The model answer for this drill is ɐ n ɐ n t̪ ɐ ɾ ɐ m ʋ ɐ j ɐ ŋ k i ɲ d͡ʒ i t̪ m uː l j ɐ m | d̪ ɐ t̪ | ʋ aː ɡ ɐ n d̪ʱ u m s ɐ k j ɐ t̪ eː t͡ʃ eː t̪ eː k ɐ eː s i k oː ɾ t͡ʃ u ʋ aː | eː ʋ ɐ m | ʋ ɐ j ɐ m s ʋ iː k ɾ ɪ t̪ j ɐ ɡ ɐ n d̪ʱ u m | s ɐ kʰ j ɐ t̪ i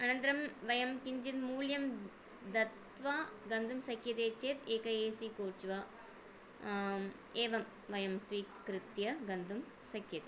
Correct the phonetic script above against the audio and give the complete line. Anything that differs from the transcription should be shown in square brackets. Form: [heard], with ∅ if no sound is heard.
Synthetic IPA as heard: ɐ n ɐ n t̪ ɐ ɾ ɐ m ʋ ɐ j ɐ [m] k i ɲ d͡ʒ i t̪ m uː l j ɐ m | d̪ ɐ t̪ | ʋ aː ɡ ɐ n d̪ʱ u m s ɐ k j ɐ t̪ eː t͡ʃ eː t̪ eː k ɐ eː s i k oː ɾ t͡ʃ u ʋ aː | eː ʋ ɐ m | ʋ ɐ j ɐ m s ʋ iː k ɾ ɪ t̪ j ɐ ɡ ɐ n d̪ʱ u m | s ɐ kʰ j ɐ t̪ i